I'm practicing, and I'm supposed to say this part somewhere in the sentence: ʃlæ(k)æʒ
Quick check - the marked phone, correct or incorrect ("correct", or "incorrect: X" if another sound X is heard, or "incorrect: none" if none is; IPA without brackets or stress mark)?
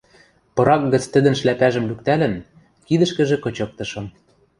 incorrect: p